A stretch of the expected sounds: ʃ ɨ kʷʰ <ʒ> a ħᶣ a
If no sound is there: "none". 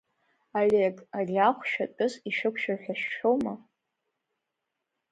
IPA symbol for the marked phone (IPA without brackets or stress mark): ʃ